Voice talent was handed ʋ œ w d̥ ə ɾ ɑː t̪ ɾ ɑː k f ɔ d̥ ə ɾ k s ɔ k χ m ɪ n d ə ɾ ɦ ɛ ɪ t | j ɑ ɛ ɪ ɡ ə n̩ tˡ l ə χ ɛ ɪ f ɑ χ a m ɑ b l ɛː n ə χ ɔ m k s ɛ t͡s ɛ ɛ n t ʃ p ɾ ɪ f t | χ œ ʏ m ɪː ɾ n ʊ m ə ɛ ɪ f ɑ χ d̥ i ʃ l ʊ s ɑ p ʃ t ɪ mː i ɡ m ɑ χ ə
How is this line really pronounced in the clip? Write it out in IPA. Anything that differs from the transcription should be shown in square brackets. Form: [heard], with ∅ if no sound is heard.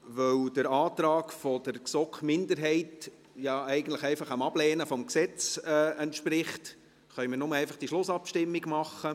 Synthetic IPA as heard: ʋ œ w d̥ ə ɾ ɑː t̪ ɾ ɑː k f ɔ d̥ ə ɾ k s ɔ k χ m ɪ n d ə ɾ ɦ ɛ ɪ t | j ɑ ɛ ɪ ɡ ə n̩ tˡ l ə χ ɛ ɪ f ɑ χ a m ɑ b l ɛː n ə [f] ɔ m k s ɛ t͡s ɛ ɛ n t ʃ p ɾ ɪ [χ] t | χ œ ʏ m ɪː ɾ n ʊ m ə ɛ ɪ f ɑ χ d̥ i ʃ l ʊ s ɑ p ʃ t ɪ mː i ɡ m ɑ χ ə

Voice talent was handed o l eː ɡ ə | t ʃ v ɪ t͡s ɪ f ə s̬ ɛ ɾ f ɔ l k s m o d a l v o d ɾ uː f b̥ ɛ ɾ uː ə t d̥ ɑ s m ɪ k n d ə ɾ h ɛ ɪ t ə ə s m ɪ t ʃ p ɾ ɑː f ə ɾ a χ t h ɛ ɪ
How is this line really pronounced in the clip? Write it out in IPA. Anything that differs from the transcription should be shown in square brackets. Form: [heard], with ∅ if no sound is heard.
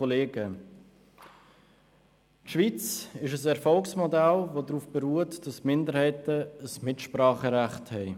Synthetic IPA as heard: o l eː ɡ ə | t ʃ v [i] t͡s ɪ [ʃ] ə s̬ ɛ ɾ f ɔ l k s m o d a l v o d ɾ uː f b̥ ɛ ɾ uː ə t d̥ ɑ s m ɪ [∅] n d ə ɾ h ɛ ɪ t ə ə s m ɪ t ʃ p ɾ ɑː [χ] ə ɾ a χ t h ɛ ɪ

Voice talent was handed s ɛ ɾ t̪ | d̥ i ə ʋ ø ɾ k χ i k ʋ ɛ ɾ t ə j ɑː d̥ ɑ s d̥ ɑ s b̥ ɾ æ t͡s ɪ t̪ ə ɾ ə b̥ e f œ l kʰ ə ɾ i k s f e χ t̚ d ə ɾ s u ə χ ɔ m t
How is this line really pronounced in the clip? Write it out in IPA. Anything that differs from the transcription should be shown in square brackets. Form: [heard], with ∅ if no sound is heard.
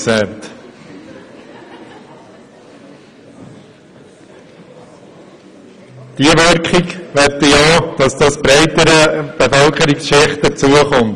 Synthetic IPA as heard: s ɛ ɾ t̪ | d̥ i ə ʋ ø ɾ k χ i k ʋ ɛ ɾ t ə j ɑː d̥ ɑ s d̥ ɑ s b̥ ɾ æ [∅] ɪ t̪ ə ɾ ə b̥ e f œ l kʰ ə ɾ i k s [ʃ] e χ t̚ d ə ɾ [t͡s] u ə χ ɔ m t

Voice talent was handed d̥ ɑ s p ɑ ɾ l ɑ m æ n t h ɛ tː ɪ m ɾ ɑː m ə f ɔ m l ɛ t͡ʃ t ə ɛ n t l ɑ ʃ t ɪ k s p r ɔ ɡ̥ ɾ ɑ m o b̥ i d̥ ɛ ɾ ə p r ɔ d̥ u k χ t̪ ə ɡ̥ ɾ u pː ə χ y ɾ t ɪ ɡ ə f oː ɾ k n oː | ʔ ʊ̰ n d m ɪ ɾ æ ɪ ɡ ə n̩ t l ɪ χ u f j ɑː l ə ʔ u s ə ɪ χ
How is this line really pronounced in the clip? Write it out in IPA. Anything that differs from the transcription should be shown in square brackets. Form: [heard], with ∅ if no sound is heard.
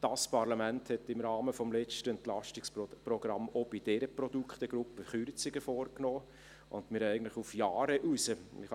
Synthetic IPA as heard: d̥ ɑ s p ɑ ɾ l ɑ m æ n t h ɛ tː ɪ m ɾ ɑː m ə f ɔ m l ɛ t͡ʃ t ə ɛ n t l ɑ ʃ t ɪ k s p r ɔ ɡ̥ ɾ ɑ m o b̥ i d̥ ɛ ɾ ə p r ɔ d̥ u k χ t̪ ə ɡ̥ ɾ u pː ə χ y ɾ [t͡s] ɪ ɡ ə f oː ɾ k n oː | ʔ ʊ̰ n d m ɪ ɾ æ ɪ ɡ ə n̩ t l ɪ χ u f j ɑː [ɾ] ə ʔ u s ə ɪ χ

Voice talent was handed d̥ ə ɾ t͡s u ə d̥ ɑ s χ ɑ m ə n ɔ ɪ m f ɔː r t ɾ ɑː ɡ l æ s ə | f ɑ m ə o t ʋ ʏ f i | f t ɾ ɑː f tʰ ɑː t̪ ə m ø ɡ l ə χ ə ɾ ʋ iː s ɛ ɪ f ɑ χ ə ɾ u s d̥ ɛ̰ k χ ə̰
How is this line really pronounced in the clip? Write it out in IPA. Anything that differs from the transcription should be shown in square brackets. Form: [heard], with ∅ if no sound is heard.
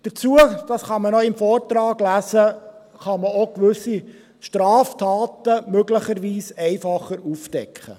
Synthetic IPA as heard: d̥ ə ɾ t͡s u ə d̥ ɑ s χ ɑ m ə n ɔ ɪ m f ɔː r t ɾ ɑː ɡ l æ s ə | [χ] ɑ m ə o [k] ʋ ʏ [s] i | [ʃ] t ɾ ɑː f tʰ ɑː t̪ ə m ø ɡ l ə χ ə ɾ ʋ iː s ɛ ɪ f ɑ χ ə ɾ u [f] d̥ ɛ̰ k χ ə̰

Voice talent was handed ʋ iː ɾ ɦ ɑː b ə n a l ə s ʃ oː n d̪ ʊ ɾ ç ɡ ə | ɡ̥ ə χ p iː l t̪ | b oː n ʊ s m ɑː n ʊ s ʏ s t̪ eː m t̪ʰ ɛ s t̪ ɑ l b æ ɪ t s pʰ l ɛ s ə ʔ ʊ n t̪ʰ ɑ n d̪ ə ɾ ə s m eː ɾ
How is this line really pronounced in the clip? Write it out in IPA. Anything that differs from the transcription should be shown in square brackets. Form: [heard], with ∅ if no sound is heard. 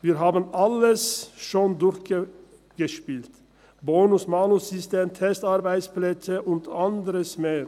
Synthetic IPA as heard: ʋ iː ɾ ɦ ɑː b ə n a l ə s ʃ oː n d̪ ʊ ɾ ç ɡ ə | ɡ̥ ə [ʃ] p iː l t̪ | b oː n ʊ s m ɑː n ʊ s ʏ s t̪ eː m t̪ʰ ɛ s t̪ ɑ [ɾ] b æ ɪ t s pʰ l ɛ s ə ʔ ʊ n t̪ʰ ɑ n d̪ ə ɾ ə s m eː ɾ

